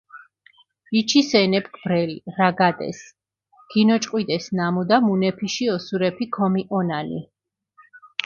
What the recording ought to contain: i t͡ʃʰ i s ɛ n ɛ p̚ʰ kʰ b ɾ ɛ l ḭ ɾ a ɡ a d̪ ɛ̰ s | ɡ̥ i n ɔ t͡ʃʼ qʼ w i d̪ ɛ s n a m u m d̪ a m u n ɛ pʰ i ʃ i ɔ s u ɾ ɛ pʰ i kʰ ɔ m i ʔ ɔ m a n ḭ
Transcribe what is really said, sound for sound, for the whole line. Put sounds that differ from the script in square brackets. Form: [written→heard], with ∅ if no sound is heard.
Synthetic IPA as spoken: i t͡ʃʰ i s ɛ n ɛ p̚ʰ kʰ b ɾ ɛ l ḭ ɾ a ɡ a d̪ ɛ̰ s | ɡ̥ i n ɔ t͡ʃʼ qʼ w i d̪ ɛ s n a m u [m→∅] d̪ a m u n ɛ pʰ i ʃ i ɔ s u ɾ ɛ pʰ i kʰ ɔ m i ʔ ɔ [m→n] a n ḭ